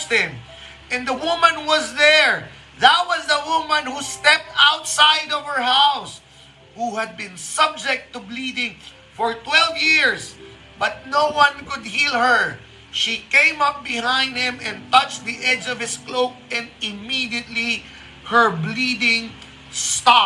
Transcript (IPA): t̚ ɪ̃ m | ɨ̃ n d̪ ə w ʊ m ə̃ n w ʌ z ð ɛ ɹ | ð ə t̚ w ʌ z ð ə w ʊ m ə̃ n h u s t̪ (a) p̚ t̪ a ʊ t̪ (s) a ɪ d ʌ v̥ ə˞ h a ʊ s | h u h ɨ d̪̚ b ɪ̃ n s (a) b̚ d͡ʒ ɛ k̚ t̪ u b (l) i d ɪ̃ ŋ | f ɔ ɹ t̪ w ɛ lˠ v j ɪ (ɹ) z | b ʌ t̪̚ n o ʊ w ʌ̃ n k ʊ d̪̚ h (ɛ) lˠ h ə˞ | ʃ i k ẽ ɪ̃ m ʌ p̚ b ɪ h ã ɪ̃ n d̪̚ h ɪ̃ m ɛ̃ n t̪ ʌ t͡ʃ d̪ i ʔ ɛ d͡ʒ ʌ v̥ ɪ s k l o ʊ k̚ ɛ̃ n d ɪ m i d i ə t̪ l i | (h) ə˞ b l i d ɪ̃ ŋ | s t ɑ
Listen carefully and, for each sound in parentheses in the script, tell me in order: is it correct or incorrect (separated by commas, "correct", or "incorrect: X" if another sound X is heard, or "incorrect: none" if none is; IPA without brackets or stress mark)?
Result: incorrect: ɛ, correct, incorrect: ʌ, correct, correct, incorrect: i, correct